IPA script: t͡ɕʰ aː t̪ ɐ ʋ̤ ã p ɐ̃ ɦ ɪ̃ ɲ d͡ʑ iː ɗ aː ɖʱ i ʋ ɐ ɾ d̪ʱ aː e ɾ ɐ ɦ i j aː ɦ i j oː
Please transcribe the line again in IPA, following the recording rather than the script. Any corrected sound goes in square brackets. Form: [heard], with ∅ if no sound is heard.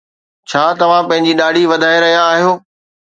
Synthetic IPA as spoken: t͡ɕʰ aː t̪ ɐ ʋ̤ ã p ɐ̃ ɦ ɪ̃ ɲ d͡ʑ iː ɗ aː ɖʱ i ʋ ɐ [∅] d̪ʱ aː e ɾ ɐ ɦ i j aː ɦ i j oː